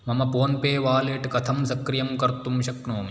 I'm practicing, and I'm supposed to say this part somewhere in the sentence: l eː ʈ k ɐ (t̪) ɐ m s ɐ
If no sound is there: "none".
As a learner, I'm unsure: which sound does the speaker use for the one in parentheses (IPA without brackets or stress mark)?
t̪ʰ